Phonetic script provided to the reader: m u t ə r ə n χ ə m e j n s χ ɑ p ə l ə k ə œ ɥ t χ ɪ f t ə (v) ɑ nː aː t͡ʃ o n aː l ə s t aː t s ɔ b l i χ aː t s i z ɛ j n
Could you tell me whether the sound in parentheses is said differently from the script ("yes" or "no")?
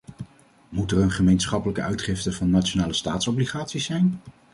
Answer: no